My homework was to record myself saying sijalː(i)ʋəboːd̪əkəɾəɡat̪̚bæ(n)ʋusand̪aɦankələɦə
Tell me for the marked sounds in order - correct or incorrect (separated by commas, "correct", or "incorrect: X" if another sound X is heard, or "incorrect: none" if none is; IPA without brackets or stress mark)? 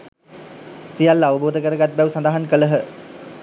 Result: incorrect: a, incorrect: none